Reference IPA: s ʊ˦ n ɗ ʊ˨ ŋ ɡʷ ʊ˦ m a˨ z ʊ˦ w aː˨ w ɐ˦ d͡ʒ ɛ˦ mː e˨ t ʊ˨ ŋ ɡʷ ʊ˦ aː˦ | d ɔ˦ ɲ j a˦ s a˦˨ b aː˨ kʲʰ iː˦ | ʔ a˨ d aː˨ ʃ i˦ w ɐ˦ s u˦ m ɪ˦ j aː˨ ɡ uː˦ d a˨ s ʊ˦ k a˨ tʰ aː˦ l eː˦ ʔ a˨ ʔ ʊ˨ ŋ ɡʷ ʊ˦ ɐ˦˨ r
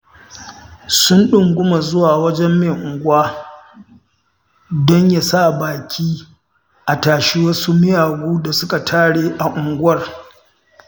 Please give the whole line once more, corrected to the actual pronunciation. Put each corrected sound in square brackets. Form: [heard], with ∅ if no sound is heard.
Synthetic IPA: s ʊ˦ n ɗ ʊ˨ ŋ ɡʷ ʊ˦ m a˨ z ʊ˦ w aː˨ w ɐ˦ d͡ʒ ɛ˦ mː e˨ [ʔ] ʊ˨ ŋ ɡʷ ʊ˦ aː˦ | d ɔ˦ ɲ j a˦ s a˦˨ b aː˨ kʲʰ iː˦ | ʔ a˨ [t] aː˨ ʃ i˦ w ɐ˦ s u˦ m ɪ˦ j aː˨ ɡ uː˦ d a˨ s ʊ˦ k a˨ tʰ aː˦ [ɽ] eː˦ ʔ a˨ ʔ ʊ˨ ŋ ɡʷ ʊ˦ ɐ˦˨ r